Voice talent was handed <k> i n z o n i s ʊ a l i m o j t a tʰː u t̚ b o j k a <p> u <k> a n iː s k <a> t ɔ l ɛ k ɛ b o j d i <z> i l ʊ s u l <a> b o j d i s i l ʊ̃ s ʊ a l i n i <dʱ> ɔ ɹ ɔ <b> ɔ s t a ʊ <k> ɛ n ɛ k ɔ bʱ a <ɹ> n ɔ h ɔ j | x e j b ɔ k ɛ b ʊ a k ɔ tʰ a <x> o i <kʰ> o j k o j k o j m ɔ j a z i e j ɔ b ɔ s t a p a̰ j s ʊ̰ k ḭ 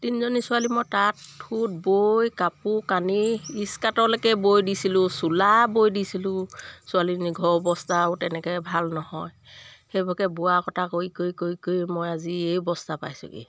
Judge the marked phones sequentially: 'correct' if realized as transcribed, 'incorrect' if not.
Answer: incorrect: t, correct, correct, correct, incorrect: s, correct, incorrect: ɡʱ, correct, incorrect: t, incorrect: l, incorrect: k, incorrect: k

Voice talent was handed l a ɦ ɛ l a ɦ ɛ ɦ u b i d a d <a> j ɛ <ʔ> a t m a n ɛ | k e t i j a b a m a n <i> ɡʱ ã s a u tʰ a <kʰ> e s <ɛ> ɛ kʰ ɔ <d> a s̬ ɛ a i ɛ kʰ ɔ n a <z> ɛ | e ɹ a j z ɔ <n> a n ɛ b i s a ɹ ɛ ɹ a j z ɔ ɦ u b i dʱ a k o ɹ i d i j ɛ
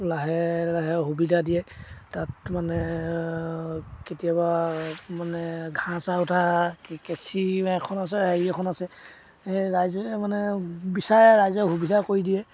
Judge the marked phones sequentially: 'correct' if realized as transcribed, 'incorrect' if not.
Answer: incorrect: i, incorrect: t, incorrect: ɛ, incorrect: k, incorrect: i, incorrect: n, incorrect: s, incorrect: m

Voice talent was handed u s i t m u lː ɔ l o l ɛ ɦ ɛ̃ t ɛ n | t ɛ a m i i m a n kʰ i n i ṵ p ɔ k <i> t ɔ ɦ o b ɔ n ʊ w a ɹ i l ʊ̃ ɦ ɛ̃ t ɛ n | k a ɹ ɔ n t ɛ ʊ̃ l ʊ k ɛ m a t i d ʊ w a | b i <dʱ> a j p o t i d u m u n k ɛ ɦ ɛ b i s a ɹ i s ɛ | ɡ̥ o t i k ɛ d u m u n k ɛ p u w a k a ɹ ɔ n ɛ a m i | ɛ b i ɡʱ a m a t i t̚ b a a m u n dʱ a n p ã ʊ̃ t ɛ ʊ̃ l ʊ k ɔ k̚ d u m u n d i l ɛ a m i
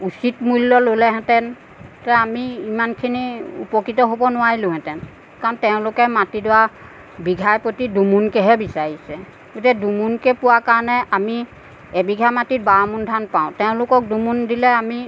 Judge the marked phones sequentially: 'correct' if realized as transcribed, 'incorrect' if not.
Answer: correct, incorrect: ɡʱ

